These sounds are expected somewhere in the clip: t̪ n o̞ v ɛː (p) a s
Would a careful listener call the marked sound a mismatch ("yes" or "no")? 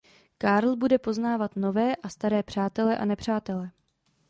yes